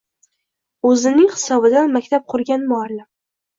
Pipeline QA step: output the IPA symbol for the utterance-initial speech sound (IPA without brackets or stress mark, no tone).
ɵ